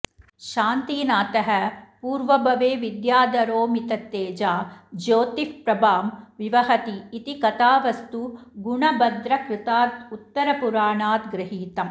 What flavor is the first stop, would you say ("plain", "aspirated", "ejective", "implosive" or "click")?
plain